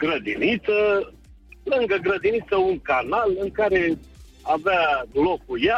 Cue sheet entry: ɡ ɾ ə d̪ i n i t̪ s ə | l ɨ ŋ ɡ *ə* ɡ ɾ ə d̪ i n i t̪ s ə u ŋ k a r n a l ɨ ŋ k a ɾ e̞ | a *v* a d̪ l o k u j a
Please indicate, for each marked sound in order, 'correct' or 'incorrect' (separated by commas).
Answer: correct, correct